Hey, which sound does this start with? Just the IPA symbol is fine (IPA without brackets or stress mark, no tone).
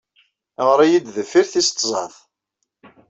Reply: ʁ